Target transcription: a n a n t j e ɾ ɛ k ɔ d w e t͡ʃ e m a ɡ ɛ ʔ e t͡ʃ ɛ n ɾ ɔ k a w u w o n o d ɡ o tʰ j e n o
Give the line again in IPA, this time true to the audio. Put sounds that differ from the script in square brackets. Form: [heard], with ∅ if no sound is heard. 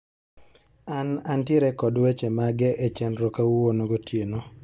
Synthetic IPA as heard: a n a n t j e ɾ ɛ k ɔ d w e t͡ʃ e m a ɡ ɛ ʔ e t͡ʃ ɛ n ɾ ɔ k a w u w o n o [∅] ɡ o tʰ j e n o